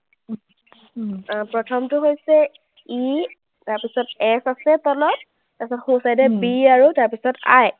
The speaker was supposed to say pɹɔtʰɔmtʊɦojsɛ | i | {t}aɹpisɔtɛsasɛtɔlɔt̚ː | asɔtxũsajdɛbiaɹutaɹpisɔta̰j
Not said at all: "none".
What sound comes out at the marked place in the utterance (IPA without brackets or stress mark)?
t